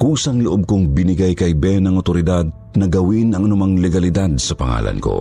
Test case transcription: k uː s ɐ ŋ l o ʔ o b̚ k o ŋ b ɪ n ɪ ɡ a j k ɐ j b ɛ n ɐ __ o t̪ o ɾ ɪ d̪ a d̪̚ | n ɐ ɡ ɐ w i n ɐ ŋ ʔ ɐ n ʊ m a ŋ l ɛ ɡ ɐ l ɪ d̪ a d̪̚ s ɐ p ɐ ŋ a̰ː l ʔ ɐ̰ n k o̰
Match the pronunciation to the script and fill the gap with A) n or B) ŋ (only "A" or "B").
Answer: B